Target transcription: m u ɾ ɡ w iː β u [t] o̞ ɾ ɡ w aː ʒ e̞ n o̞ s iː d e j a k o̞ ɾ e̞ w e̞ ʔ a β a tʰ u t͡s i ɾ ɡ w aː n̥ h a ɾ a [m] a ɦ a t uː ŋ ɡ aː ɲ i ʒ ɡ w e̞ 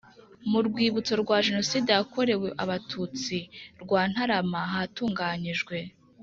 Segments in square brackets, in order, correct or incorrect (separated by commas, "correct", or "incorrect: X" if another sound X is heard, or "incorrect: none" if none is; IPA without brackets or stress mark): incorrect: t͡s, correct